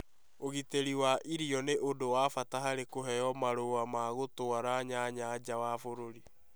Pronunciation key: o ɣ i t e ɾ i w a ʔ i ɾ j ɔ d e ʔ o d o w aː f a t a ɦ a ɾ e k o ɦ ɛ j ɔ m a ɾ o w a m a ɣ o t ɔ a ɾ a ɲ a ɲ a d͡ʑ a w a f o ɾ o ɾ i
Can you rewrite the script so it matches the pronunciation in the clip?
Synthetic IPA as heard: o ɣ i t e ɾ i w a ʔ i ɾ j ɔ n e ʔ o d o w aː f a t a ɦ a ɾ e k o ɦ ɛ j ɔ m a ɾ o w a m a ɣ o t o a ɾ a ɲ a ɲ a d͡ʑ a w a f o ɾ o ɾ i